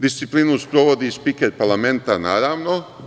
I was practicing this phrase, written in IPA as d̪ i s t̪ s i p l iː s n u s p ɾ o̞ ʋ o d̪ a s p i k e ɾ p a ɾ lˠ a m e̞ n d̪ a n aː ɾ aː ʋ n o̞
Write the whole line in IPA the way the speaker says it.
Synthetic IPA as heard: d̪ i s t̪ s i p l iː n u s p ɾ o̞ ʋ o d̪ i s p i k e ɾ p a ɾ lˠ a m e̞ n t̪ a n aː ɾ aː ʋ n o̞